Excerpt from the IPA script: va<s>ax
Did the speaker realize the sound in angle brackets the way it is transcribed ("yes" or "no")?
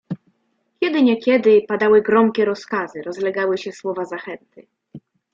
no